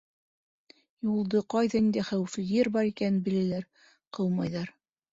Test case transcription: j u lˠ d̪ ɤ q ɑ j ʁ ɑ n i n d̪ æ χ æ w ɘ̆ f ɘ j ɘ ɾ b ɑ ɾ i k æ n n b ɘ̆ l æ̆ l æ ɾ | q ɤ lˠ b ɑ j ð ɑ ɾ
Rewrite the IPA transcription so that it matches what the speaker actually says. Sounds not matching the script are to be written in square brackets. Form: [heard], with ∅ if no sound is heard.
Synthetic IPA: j u lˠ d̪ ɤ q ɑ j [ð] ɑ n i n d̪ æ χ æ w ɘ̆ f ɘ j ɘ ɾ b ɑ ɾ i k æ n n b ɘ̆ l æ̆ l æ ɾ | q ɤ lˠ [m] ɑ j ð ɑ ɾ